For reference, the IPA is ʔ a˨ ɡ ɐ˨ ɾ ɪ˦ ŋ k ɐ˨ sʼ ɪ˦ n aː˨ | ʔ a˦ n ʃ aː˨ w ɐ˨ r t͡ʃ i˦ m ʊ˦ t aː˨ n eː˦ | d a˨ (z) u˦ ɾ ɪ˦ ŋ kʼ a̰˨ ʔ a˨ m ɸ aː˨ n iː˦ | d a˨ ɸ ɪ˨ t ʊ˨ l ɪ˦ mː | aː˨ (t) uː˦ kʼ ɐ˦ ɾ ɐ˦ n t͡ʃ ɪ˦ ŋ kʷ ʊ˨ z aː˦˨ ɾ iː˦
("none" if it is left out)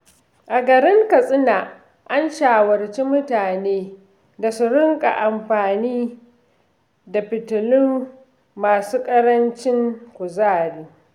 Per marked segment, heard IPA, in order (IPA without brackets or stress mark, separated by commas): s, s